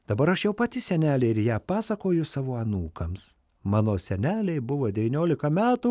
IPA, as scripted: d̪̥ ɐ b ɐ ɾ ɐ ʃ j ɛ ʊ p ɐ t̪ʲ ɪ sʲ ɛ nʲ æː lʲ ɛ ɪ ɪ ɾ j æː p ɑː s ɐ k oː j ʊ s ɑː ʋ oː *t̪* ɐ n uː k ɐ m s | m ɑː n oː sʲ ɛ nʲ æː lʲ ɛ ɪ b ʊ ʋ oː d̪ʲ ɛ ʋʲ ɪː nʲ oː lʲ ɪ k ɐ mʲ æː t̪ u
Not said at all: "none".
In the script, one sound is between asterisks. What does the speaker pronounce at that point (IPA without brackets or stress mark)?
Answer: none